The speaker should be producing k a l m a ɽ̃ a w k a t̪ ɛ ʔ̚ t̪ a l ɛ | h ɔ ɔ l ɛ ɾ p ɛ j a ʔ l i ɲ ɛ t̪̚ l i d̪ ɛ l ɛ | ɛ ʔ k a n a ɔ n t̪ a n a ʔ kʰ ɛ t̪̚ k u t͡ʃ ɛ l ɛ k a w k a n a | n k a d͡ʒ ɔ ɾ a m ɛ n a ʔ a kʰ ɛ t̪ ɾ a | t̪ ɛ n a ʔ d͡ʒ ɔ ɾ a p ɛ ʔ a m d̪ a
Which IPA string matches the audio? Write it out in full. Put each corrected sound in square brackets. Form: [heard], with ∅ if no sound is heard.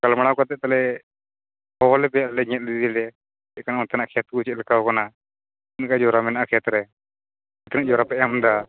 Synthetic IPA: k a l m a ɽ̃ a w k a t̪ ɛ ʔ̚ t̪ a l ɛ | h ɔ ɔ l ɛ [∅] p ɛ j a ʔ l [ɛ] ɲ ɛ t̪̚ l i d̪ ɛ l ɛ | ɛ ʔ k a n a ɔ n t̪ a n a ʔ kʰ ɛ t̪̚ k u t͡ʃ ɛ l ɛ k a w k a n a | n k a d͡ʒ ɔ ɾ a m ɛ n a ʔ a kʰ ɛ t̪ ɾ [ɛ] | t̪ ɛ n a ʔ d͡ʒ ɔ ɾ a p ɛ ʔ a m d̪ a